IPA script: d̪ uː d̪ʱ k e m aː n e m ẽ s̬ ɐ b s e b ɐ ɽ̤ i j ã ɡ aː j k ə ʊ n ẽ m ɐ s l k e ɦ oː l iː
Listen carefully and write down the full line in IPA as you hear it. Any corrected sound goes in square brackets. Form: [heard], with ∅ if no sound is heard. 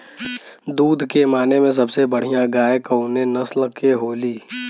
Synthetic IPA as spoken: d̪ uː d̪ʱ k e m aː n e m ẽ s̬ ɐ b s e b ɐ ɽ̤ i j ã ɡ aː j k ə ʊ n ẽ [n] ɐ s l k e ɦ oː l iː